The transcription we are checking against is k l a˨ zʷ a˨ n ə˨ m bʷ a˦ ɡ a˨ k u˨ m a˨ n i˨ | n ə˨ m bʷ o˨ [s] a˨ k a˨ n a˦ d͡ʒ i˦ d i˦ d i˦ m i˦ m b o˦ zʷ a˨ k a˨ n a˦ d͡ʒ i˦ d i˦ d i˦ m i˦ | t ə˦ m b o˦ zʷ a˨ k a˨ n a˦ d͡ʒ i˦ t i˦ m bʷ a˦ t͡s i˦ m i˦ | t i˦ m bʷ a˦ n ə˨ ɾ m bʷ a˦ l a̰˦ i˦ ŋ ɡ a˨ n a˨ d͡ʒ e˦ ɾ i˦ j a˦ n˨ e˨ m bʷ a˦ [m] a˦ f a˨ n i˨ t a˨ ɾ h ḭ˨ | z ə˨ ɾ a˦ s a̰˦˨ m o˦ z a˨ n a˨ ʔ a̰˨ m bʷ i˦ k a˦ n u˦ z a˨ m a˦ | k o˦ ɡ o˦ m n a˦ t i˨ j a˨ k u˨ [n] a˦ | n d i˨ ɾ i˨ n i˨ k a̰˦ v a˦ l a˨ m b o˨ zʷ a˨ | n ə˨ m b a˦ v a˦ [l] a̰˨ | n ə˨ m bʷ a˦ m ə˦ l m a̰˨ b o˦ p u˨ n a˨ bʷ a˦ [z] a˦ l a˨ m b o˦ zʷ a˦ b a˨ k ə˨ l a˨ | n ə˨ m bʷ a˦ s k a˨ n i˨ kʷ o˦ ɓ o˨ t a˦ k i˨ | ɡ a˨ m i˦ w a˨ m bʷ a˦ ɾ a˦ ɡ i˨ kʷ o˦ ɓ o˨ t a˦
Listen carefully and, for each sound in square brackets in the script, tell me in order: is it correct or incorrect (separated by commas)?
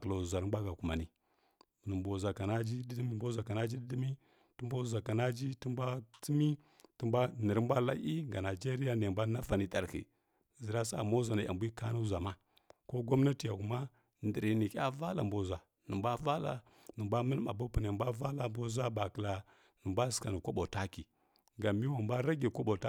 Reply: incorrect, incorrect, incorrect, correct, incorrect